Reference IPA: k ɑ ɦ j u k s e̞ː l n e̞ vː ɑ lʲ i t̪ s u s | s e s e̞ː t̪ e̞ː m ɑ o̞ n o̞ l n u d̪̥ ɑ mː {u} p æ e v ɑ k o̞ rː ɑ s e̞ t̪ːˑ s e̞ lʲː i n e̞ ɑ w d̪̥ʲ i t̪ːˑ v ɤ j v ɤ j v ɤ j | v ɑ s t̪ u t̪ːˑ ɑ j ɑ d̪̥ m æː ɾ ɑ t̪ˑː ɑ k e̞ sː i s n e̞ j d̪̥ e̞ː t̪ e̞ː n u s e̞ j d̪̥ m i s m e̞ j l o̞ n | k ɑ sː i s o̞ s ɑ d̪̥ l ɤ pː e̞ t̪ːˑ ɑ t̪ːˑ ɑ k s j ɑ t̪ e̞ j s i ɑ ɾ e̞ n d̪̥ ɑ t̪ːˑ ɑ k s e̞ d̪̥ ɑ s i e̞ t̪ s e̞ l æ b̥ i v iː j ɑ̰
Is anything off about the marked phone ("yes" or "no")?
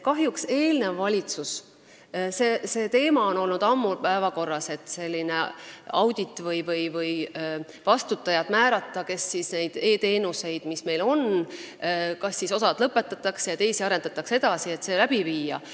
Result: no